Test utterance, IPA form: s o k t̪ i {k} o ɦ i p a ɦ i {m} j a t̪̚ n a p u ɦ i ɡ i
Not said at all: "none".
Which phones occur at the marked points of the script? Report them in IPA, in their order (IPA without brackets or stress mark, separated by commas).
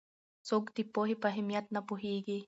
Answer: p, m